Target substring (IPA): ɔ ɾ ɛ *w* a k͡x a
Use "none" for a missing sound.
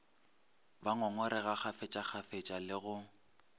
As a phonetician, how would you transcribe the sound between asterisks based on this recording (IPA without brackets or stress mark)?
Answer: ɣ